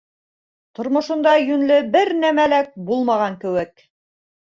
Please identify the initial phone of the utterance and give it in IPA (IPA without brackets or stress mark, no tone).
t̪